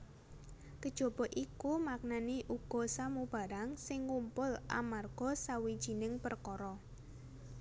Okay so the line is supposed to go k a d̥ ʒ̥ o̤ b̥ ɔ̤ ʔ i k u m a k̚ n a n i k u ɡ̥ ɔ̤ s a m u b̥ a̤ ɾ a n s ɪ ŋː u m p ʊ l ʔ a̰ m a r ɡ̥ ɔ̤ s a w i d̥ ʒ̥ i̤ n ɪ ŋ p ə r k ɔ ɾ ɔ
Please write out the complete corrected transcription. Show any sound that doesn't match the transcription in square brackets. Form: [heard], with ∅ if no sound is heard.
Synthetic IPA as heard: k [ə] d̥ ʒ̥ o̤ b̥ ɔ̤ ʔ i k u m a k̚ n a n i [ʔ] u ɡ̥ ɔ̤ s a m u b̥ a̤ ɾ a [ŋ] s ɪ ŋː u m p ʊ l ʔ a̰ m a r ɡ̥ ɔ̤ s a w i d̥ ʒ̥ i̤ n ɪ ŋ p ə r k ɔ ɾ ɔ